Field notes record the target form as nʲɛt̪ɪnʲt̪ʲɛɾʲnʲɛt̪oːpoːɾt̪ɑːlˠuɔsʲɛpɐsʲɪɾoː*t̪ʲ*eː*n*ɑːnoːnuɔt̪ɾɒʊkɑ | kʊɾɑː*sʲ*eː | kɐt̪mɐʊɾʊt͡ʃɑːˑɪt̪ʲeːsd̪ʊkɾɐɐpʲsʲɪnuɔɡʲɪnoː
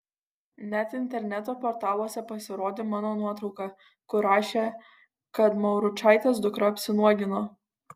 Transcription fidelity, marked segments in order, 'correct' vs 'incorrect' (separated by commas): incorrect, incorrect, incorrect